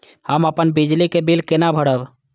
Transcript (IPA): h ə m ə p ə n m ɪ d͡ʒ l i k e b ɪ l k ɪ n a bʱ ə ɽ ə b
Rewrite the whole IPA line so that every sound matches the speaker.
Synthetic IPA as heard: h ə m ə p ə n b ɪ d͡ʒ l i k e b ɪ l k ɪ n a bʱ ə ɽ ə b